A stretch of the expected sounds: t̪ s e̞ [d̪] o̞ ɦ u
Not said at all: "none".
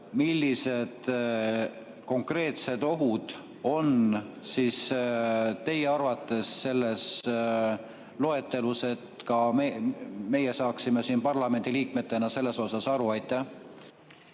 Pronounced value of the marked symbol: d̪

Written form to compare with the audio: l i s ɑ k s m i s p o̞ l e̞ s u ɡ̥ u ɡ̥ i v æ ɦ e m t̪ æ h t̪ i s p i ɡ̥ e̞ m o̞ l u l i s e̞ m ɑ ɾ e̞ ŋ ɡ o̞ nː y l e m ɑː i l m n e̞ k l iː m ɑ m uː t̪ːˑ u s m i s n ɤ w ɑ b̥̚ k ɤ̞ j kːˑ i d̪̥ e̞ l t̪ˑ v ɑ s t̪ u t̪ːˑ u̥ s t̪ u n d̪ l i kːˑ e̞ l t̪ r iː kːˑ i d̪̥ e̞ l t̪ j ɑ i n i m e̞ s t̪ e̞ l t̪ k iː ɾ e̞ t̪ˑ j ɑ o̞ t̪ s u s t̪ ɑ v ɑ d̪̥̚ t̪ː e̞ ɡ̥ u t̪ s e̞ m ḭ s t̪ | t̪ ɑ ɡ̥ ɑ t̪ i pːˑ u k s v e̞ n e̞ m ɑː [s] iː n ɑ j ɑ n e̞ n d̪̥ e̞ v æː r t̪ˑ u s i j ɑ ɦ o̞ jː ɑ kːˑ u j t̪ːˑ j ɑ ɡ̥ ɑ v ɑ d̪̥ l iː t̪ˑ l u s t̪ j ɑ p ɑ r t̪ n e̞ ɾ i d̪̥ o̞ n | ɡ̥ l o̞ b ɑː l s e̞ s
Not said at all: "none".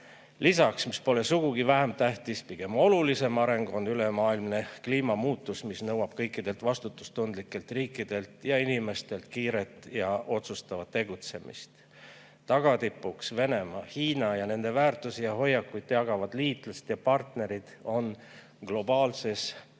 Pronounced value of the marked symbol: h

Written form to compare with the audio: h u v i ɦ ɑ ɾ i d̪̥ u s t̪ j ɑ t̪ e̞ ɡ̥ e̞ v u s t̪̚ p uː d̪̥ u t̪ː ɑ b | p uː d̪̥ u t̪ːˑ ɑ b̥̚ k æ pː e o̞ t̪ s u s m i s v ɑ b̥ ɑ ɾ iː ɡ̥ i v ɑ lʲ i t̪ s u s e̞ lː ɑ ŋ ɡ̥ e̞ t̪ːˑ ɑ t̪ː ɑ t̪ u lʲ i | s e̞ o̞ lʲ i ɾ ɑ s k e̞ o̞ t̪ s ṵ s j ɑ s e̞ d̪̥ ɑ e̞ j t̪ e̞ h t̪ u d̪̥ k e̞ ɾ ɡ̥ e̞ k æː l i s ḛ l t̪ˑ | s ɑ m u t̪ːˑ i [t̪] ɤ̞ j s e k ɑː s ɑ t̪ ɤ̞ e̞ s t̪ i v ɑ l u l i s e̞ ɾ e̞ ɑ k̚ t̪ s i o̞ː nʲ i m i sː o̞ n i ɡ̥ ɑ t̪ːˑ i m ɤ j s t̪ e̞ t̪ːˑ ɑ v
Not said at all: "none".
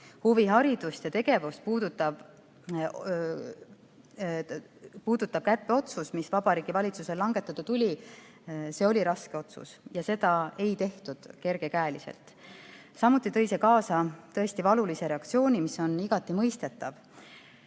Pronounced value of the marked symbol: t̪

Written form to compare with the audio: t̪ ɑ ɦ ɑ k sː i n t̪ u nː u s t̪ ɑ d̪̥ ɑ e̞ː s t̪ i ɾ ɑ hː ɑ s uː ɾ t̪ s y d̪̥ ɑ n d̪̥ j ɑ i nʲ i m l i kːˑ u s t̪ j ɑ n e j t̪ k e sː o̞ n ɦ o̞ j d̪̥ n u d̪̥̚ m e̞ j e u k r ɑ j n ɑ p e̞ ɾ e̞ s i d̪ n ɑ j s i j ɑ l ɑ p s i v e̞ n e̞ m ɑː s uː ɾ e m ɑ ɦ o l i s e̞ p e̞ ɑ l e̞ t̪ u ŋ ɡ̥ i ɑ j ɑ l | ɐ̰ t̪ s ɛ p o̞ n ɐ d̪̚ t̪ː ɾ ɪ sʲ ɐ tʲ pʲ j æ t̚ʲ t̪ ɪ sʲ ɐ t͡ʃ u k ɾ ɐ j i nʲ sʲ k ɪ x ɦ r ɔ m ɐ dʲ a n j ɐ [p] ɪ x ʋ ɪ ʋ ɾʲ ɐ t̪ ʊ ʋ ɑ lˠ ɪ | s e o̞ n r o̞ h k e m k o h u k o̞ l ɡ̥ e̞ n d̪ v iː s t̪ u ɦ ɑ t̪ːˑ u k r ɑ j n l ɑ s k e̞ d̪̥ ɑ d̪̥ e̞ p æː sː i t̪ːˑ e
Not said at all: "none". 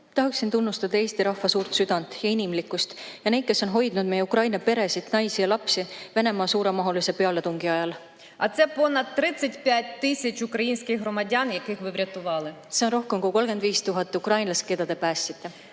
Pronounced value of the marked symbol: k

